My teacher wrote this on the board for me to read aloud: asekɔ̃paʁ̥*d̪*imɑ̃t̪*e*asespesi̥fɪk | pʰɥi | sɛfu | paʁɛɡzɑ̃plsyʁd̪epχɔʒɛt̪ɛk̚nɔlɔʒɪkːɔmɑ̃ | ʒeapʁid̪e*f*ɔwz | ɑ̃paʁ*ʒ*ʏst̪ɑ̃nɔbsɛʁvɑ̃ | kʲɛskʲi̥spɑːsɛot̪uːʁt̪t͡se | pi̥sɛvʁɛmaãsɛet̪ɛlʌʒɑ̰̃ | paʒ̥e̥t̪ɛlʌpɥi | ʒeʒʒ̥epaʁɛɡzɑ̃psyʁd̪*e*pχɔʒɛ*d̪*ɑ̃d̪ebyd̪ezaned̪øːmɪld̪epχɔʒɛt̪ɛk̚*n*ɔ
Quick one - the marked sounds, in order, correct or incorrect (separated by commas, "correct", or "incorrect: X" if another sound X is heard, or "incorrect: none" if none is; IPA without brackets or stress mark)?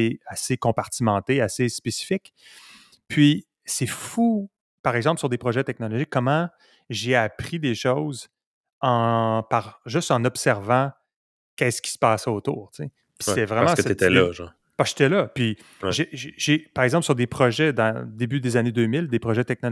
incorrect: t̪, correct, incorrect: ʃ, correct, correct, correct, correct